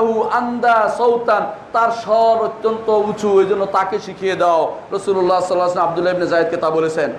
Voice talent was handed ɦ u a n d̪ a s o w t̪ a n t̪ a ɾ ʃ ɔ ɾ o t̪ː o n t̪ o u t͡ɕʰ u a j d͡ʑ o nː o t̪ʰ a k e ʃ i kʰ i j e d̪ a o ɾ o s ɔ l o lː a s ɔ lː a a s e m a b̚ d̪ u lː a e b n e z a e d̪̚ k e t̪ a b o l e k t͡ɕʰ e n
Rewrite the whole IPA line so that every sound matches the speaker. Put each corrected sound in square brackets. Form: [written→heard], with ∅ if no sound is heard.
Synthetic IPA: ɦ u a n d̪ a s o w t̪ a n t̪ a ɾ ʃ ɔ ɾ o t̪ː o n t̪ o u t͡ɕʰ u [a→e] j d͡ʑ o nː o [t̪ʰ→t̪] a k e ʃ i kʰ i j e d̪ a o ɾ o s [ɔ→u] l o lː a s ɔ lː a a s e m a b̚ d̪ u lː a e b n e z a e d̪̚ k e t̪ a b o l e [k→∅] t͡ɕʰ e n